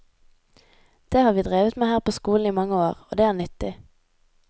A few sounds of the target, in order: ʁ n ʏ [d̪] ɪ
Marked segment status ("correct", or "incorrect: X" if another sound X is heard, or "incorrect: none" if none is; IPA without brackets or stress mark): incorrect: t̪